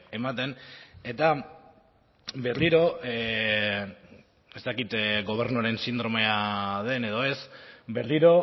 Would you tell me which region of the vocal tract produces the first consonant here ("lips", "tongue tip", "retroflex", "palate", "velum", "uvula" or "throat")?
lips